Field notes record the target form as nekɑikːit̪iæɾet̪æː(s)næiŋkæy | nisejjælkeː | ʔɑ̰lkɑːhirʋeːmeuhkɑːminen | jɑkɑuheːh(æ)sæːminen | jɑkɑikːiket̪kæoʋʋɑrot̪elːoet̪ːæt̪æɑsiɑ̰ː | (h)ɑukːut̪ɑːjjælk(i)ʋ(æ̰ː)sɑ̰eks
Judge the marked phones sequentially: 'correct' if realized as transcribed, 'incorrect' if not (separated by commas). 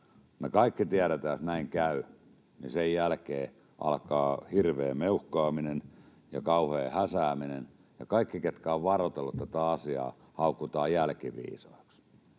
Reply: correct, correct, correct, correct, incorrect